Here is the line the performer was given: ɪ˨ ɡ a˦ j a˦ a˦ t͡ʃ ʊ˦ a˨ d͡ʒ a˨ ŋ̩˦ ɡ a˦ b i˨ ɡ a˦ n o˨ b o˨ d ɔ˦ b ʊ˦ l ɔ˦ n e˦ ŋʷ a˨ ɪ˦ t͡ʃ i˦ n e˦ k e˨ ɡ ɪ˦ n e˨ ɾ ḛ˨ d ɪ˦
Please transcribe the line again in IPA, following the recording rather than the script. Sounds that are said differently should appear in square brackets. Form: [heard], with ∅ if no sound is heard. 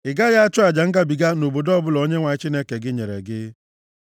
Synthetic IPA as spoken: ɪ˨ ɡ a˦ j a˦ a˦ t͡ʃ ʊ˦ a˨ d͡ʒ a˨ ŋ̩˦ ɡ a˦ b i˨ ɡ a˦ n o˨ b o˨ d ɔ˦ b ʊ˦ l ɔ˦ [ɲ] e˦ ŋʷ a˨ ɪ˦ t͡ʃ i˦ n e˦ k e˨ ɡ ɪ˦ [ɲ] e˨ ɾ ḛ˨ [ɡ] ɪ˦